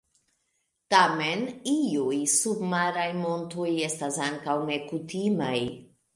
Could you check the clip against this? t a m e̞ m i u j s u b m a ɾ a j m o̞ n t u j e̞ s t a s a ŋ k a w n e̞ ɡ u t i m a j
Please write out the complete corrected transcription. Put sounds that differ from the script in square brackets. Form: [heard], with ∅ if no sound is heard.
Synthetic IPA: t a m e̞ [n] i u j s u b m a ɾ a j m o̞ n t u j e̞ s t a s a ŋ k a w n e̞ [k] u t i m a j